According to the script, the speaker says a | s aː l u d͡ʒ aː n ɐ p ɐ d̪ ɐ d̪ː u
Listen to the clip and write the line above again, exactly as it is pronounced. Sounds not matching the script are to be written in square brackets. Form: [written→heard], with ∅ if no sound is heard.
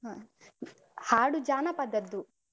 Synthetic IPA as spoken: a | [s→h] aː [l→ɽ] u d͡ʒ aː n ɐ p ɐ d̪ ɐ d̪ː u

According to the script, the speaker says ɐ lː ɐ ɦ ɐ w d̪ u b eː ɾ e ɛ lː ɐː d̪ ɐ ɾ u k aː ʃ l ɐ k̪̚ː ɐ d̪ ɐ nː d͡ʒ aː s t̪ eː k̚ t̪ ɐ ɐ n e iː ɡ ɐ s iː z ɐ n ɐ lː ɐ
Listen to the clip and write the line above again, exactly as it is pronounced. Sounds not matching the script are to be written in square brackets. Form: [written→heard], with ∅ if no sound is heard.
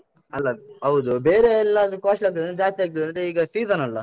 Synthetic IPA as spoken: ɐ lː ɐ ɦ ɐ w d̪ u b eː ɾ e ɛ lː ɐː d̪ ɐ ɾ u k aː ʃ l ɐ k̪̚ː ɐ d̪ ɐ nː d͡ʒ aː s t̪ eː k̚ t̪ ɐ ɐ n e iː ɡ ɐ s iː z ɐ n ɐ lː ɐ

